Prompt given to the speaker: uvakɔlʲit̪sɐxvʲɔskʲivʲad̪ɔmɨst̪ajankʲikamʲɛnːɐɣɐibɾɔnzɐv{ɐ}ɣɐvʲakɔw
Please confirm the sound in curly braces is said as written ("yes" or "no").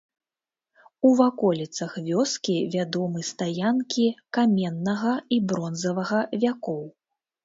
yes